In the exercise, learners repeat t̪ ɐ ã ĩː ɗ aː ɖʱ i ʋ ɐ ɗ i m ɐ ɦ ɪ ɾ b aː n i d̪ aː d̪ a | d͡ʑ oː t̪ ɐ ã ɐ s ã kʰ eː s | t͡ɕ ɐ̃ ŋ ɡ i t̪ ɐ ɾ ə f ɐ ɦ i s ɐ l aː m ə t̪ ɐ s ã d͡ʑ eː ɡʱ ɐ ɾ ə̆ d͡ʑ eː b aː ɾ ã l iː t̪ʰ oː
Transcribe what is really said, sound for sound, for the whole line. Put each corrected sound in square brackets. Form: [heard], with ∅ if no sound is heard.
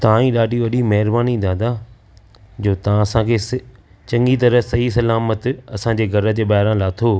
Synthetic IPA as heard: t̪ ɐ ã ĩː ɗ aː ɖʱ i ʋ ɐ ɗ i m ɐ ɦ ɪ ɾ b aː n i d̪ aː d̪ a | d͡ʑ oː t̪ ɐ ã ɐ s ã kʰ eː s | t͡ɕ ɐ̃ ŋ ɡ i t̪ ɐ ɾ ə [s] ɐ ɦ i s ɐ l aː m ə t̪ ɐ s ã d͡ʑ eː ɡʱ ɐ ɾ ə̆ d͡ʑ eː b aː ɾ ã l [aː] t̪ʰ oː